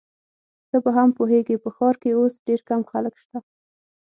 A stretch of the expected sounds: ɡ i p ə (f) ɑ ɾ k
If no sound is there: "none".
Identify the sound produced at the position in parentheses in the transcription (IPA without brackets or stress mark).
x